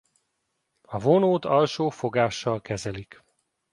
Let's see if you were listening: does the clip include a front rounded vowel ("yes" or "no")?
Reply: no